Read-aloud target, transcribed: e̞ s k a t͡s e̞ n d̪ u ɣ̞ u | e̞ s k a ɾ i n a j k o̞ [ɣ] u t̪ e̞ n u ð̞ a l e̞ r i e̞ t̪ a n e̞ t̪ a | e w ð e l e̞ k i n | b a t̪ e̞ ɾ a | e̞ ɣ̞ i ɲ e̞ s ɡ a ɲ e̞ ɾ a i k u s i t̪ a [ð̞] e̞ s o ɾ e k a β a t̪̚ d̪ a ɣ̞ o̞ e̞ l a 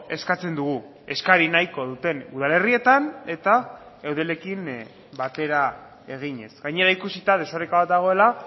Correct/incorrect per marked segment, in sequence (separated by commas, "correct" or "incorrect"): incorrect, correct